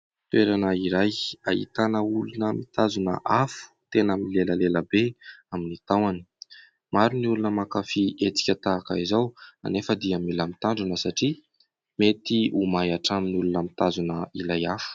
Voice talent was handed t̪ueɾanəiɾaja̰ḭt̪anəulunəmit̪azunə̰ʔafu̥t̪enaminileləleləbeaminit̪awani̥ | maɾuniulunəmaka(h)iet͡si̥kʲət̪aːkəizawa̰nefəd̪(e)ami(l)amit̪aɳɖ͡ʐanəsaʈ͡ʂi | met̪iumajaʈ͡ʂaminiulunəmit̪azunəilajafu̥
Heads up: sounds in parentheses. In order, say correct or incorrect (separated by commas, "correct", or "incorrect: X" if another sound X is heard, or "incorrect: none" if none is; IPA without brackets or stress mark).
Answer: incorrect: f, incorrect: i, correct